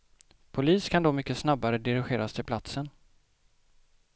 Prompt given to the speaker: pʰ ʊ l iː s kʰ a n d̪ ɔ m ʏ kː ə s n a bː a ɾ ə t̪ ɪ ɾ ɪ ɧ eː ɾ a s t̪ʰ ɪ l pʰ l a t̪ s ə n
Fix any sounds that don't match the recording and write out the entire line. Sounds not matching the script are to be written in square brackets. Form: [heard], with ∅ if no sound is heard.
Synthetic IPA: pʰ ʊ l iː s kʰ a n d̪ ɔ m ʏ kː ə s n a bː a ɾ ə [d̪] ɪ ɾ ɪ ɧ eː ɾ a s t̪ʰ ɪ l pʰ l a t̪ s ə n